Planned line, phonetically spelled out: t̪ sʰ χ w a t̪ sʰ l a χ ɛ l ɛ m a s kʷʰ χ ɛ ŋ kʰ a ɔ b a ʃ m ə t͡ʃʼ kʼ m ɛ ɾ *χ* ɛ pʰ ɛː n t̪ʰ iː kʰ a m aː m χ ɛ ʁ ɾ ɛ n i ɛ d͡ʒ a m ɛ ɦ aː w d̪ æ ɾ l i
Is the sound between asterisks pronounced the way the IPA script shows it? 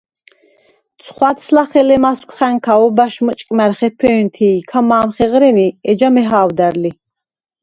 yes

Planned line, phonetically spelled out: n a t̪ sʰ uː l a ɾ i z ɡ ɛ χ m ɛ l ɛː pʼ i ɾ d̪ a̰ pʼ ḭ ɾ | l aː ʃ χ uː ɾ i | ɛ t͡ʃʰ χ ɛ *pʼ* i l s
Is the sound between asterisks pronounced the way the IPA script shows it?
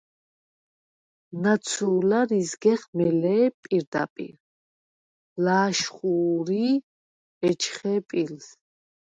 yes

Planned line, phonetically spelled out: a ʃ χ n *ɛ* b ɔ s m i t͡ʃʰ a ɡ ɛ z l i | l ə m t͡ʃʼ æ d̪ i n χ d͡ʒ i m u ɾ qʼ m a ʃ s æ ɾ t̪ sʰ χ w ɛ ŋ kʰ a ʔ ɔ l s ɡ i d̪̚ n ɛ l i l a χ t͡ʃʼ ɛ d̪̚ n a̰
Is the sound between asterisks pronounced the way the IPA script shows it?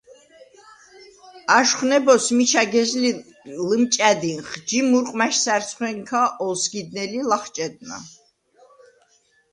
yes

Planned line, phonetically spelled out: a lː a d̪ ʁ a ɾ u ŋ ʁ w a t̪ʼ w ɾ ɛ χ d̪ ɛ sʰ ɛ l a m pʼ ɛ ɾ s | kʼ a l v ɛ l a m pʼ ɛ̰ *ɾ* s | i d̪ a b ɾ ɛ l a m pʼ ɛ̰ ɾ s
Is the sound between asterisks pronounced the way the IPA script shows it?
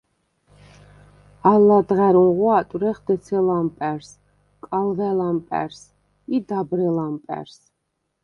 yes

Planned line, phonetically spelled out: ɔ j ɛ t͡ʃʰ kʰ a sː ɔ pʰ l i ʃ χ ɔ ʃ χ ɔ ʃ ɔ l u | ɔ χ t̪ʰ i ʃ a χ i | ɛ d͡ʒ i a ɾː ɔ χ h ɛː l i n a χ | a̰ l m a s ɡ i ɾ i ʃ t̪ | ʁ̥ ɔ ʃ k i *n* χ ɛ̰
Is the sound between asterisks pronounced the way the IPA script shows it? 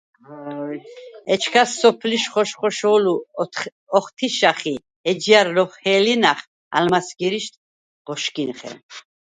yes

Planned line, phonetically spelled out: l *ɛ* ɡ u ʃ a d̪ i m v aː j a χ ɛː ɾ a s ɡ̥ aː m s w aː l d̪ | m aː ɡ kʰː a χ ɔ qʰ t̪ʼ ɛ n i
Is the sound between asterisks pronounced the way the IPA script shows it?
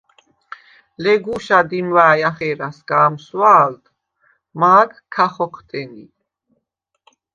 yes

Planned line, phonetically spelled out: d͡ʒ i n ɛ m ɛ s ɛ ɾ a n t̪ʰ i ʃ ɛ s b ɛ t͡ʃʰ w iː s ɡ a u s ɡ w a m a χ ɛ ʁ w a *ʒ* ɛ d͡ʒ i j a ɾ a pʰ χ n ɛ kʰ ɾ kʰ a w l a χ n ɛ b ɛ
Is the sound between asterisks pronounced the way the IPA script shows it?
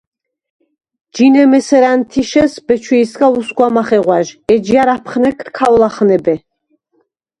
yes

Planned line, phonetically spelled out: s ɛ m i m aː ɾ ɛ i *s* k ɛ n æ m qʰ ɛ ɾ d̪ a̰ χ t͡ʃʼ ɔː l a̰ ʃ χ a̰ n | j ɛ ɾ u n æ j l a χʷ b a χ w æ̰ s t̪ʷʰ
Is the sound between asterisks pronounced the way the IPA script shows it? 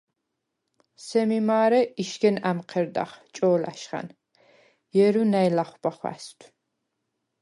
no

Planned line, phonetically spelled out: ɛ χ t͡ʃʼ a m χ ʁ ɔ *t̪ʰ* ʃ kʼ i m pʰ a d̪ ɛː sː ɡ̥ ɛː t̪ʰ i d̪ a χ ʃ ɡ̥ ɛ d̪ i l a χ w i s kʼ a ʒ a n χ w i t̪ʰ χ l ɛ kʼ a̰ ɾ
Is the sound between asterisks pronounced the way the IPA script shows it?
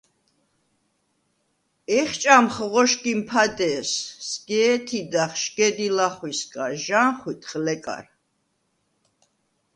no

